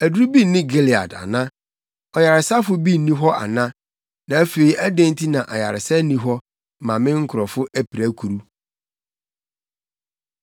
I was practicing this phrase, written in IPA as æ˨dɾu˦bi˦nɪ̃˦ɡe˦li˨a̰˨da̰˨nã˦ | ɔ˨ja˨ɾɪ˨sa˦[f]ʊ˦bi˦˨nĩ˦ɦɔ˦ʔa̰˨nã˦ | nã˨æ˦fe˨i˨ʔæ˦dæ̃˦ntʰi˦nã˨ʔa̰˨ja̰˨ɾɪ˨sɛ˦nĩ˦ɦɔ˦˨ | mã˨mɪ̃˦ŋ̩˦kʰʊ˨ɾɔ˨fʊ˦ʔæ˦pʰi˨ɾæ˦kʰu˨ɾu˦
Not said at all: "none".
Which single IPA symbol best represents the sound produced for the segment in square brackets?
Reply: f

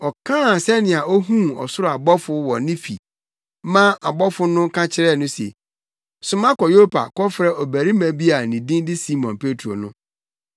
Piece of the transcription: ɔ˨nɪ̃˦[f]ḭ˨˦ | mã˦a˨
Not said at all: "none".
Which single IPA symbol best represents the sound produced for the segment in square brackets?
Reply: f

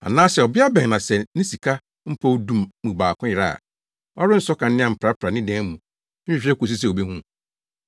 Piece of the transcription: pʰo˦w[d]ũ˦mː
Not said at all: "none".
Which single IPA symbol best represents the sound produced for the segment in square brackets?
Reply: d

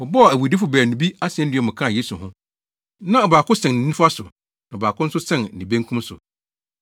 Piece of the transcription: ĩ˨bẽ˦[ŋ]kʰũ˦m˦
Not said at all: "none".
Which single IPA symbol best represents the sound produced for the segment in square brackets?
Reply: ŋ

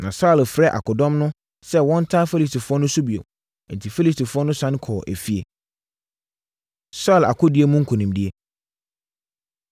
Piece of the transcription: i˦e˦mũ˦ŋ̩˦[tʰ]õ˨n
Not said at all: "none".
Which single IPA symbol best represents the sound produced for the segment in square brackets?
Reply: kʰ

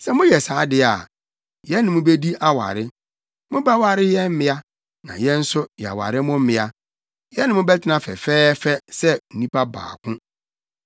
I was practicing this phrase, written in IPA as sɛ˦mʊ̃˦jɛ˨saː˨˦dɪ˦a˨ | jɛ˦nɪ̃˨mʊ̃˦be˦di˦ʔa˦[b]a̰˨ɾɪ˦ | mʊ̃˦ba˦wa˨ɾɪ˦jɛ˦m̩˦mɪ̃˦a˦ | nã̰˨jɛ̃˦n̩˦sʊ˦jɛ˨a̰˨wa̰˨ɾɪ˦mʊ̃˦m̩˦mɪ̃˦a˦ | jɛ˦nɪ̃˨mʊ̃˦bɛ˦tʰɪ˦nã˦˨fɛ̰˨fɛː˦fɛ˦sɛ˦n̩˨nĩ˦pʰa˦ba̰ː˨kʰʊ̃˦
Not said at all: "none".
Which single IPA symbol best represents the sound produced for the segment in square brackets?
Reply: w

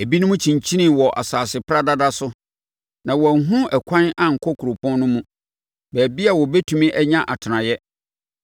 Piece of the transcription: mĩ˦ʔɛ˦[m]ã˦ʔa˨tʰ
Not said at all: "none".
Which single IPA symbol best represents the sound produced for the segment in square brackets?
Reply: ɲ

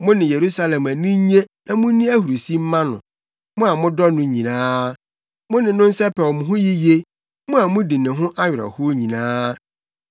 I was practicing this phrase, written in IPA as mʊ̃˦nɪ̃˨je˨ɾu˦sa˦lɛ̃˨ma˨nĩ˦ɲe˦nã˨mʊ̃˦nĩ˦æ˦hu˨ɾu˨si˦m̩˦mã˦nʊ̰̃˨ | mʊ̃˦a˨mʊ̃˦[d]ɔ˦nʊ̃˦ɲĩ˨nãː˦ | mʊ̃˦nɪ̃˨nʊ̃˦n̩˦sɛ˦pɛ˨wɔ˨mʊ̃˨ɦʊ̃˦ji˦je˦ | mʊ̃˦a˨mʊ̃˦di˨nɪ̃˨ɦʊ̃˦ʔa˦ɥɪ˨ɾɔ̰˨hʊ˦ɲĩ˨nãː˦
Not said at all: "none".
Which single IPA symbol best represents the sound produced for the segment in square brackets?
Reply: d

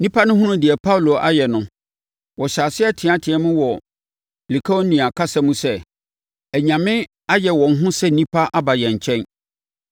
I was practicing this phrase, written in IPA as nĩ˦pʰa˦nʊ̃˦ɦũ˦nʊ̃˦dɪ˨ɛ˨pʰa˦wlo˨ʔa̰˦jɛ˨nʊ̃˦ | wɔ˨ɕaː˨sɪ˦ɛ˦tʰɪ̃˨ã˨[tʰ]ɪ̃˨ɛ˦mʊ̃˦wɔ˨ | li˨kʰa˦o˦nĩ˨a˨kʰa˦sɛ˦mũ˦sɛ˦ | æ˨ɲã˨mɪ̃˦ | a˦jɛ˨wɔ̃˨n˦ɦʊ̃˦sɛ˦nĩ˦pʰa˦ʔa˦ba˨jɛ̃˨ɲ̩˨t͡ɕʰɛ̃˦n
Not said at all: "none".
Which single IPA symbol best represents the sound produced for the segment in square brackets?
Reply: tʰ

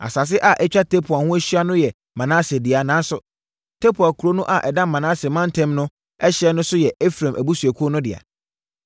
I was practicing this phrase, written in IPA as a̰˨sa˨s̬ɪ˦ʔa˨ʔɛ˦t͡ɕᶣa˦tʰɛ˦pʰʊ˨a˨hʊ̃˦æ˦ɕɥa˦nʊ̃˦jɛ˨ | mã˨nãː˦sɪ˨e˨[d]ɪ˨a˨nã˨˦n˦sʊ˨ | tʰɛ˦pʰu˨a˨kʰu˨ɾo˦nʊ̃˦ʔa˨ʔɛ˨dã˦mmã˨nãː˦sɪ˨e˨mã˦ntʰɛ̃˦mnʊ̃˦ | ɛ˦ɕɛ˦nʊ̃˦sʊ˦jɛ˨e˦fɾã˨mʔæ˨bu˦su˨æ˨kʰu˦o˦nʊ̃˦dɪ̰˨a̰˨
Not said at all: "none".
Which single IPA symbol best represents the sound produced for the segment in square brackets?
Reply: d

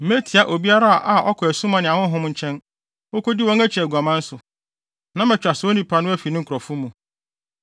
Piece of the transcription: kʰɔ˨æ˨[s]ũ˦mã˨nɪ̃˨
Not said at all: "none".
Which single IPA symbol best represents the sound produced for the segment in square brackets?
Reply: s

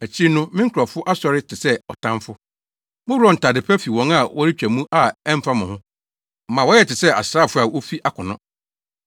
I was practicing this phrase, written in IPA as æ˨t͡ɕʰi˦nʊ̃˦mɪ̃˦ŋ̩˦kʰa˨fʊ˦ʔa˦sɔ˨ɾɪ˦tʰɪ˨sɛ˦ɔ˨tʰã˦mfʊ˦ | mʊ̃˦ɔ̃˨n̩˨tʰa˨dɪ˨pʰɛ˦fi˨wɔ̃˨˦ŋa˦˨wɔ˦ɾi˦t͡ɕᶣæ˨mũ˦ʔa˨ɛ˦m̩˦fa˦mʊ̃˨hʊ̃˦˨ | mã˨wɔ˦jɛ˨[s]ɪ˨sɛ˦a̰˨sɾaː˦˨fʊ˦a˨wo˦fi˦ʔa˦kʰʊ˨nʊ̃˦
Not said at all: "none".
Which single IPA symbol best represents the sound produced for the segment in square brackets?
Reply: t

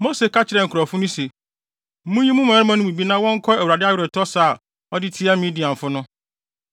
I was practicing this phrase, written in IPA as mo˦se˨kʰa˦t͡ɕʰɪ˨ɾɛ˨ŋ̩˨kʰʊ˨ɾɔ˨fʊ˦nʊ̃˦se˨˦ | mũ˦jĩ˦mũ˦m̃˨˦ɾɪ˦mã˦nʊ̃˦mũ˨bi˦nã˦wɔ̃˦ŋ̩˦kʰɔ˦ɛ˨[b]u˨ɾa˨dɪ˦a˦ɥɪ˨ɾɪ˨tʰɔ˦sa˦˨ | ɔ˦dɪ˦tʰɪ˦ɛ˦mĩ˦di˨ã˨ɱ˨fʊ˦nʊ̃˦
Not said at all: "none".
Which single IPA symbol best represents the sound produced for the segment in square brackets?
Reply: w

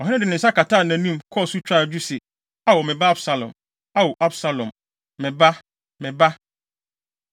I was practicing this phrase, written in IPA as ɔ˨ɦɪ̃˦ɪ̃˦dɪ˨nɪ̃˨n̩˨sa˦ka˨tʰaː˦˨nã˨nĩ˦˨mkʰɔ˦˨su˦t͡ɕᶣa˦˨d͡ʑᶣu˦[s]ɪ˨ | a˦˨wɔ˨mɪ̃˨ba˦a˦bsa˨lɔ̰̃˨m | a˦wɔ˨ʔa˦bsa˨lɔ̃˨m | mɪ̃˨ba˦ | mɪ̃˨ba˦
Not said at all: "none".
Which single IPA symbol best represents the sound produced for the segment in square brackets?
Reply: s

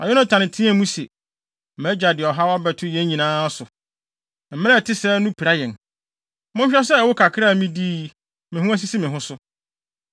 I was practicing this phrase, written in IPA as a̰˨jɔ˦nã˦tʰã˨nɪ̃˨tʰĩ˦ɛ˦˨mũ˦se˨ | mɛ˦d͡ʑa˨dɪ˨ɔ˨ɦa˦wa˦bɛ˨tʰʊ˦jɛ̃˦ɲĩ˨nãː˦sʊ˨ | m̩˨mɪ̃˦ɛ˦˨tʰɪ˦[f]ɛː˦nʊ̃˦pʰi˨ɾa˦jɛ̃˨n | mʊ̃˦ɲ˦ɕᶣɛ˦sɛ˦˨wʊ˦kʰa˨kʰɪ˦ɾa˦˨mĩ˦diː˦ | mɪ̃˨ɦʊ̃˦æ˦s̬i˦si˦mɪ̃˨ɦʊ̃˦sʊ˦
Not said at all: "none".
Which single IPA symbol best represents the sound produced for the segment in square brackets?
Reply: s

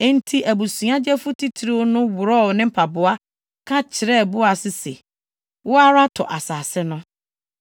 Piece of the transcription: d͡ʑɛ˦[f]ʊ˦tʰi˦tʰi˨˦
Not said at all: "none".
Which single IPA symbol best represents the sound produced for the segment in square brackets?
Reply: f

